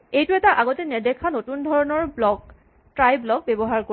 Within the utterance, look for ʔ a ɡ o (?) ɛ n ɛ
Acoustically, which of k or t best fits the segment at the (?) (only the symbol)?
t